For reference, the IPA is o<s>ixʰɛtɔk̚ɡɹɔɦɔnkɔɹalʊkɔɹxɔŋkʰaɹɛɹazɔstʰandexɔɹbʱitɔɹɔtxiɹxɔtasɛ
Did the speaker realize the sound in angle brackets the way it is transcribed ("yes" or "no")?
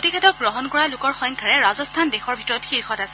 no